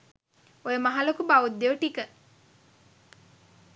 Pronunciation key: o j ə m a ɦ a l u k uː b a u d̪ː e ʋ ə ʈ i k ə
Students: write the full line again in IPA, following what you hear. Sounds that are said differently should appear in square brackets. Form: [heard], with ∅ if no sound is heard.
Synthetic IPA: o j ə m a ɦ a l [o] k [u] b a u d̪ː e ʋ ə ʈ i k ə